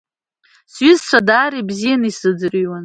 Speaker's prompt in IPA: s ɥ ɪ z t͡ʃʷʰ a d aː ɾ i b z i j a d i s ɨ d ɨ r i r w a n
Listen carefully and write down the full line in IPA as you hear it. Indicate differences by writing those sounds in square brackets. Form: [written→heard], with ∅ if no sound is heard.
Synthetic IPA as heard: s ɥ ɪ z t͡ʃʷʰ a d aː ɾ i b z i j a [d→n] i s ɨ [d→d͡z] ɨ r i [r→∅] w a n